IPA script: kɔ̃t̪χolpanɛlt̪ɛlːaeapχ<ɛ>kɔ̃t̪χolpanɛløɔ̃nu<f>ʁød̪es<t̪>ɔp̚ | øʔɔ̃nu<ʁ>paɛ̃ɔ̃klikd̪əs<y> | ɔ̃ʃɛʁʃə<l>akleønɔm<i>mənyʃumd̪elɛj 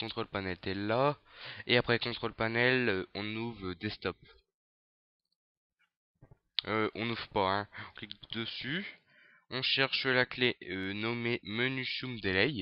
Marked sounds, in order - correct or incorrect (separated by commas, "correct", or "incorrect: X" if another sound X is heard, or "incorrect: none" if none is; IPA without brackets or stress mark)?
correct, incorrect: v, correct, incorrect: v, correct, correct, incorrect: e